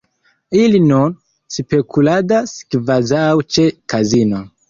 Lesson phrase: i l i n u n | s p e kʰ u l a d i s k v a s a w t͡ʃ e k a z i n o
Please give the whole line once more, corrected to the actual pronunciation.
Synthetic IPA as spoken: i l i n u n | s p e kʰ u l a d a s k v a z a w t͡ʃ e k a z i n o